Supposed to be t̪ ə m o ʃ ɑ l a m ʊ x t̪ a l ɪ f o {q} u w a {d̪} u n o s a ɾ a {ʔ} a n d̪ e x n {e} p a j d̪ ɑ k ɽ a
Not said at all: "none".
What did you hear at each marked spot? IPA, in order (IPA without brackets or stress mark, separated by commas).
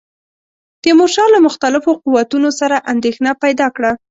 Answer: q, t̪, ʔ, a